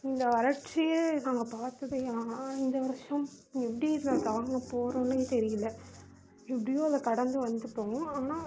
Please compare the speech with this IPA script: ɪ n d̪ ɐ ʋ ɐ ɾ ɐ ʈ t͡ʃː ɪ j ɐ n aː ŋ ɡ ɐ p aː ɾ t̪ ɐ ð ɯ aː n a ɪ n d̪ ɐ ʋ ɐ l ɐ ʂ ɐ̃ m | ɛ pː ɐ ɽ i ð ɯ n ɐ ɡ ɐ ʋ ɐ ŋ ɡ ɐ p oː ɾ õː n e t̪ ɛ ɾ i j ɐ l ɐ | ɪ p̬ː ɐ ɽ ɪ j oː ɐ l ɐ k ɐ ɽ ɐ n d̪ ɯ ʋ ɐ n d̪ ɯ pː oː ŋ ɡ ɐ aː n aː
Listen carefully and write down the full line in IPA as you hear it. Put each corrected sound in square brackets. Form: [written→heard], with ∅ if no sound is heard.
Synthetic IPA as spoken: ɪ n d̪ ɐ ʋ ɐ ɾ ɐ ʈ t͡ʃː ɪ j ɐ n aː ŋ ɡ ɐ p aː ɾ t̪ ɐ ð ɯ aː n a ɪ n d̪ ɐ ʋ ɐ [l→ɾ] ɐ ʂ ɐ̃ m | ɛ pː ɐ ɽ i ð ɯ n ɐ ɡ ɐ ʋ ɐ ŋ ɡ ɐ p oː ɾ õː n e t̪ ɛ ɾ [i→ɪ] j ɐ l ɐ | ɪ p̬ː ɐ ɽ ɪ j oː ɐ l ɐ k ɐ ɽ ɐ n d̪ ɯ ʋ ɐ n d̪ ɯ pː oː ŋ ɡ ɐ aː n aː